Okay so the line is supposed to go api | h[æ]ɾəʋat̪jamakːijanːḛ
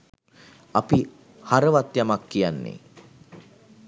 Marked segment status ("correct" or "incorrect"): incorrect